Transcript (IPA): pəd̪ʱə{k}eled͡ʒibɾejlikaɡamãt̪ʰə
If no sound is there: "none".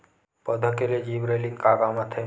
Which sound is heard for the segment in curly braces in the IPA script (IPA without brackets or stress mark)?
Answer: k